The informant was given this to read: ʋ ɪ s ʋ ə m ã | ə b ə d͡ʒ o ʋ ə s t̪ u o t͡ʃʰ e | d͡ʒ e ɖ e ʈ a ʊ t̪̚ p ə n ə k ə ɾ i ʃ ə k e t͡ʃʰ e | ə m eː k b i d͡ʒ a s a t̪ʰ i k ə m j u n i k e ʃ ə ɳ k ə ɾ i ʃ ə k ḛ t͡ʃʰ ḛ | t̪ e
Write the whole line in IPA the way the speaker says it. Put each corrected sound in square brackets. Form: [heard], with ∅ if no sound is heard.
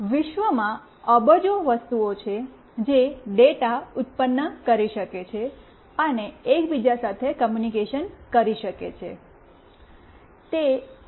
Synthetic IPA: ʋ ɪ [ʃ] ʋ ə m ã | ə b ə d͡ʒ o ʋ ə s t̪ u o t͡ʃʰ e | d͡ʒ e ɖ e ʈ a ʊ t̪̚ p ə [nː] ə k ə ɾ i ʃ ə k e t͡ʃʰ e | ə [n] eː k b i d͡ʒ a s a t̪ʰ [e] k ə m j u n i k e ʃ ə [n] k ə ɾ i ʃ ə k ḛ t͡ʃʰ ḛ | t̪ e